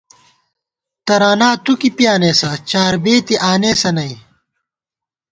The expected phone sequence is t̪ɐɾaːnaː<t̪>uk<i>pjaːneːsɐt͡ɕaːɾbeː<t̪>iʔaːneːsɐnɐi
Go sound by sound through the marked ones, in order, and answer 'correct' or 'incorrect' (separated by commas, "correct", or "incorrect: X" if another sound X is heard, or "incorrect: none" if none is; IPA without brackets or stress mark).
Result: correct, correct, correct